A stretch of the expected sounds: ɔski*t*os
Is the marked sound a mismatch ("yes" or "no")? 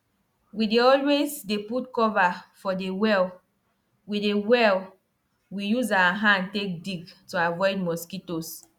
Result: no